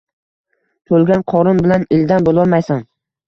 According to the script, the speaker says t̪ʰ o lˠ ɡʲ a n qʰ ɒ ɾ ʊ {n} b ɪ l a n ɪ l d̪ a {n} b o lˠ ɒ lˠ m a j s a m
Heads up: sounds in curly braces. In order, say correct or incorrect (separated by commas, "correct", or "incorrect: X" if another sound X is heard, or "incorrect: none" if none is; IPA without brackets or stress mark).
correct, correct